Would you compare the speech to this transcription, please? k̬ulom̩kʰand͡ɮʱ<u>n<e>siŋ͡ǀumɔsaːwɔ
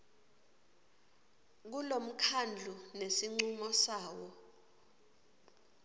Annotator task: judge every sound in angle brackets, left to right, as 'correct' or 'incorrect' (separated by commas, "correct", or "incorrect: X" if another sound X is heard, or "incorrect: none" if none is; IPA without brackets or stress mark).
correct, correct